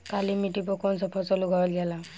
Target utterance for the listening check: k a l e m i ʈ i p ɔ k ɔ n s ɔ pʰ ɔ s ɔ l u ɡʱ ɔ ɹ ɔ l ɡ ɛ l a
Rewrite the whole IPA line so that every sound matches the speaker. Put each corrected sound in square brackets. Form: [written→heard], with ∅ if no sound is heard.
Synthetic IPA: k a l [e→i] m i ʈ i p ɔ k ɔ n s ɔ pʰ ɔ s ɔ l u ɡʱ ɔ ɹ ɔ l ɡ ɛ l a